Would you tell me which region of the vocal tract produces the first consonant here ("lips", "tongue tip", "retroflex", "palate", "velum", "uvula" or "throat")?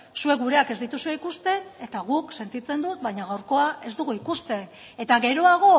tongue tip